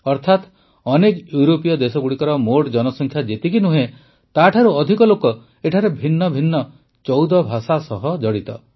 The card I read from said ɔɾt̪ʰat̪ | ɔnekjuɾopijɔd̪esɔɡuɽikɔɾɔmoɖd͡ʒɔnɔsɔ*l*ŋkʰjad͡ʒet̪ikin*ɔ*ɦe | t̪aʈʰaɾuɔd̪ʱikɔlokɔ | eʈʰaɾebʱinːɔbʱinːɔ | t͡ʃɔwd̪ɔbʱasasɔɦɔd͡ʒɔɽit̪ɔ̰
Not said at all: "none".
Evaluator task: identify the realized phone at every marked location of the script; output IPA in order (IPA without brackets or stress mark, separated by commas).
none, u